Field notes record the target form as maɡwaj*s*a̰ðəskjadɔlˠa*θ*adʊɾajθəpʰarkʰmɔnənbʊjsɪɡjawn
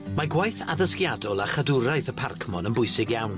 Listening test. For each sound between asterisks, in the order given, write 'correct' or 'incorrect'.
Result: incorrect: θ, incorrect: χ

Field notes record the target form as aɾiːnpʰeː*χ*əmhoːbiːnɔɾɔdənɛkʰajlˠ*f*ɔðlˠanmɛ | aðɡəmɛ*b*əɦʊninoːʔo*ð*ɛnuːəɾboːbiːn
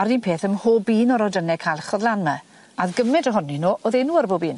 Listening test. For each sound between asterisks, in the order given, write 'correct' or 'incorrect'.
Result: incorrect: θ, incorrect: χ, incorrect: d, correct

